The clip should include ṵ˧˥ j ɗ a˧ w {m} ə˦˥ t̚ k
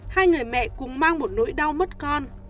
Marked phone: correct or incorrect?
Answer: correct